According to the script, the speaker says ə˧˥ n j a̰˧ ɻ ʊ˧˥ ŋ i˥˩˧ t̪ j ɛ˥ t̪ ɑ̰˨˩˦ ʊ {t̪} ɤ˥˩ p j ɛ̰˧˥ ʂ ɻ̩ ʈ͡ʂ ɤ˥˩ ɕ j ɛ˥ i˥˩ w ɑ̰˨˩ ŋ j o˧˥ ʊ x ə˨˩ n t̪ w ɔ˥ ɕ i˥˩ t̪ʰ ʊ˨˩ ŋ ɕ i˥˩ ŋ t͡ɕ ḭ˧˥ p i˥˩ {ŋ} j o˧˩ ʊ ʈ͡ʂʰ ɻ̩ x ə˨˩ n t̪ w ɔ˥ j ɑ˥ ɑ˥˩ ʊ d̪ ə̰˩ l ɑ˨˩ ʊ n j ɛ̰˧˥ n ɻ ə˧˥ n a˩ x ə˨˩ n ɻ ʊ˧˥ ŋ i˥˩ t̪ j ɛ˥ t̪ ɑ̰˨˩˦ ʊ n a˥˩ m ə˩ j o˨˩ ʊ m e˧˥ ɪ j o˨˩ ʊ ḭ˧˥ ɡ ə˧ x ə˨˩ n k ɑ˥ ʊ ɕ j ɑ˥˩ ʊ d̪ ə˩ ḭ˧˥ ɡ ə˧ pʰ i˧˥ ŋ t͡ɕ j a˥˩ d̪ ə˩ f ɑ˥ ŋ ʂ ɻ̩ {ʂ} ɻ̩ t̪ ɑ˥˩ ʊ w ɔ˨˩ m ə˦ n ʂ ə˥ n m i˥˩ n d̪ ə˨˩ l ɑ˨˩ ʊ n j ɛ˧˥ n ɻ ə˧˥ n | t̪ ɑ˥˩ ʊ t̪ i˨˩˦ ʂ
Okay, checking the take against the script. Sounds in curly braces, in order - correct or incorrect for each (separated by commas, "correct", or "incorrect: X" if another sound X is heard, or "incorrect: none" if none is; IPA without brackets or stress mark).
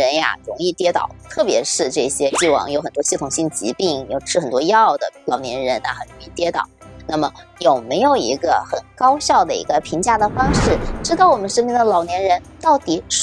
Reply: incorrect: t̪ʰ, correct, incorrect: ʈ͡ʂ